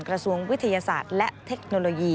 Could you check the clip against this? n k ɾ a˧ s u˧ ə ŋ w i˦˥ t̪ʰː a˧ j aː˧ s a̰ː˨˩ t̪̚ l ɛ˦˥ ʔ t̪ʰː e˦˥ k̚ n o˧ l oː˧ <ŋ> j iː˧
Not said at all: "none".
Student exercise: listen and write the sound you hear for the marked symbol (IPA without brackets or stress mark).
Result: none